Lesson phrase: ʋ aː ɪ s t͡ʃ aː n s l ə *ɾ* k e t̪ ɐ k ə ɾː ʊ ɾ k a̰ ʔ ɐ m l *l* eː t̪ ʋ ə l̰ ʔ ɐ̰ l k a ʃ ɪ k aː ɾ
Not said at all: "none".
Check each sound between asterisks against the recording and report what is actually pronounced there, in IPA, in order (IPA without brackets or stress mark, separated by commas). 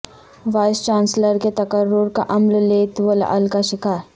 ɾ, l